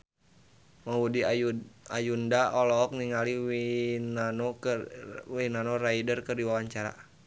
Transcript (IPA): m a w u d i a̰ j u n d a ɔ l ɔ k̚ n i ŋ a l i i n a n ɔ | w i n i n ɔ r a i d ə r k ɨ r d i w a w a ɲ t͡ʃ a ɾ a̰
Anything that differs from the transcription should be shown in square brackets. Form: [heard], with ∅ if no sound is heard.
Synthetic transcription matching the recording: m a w u d i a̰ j u n d a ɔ l ɔ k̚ n i ŋ a l i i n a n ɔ | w i n [a] n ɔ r a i d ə r k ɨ r d i w a w a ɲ t͡ʃ a ɾ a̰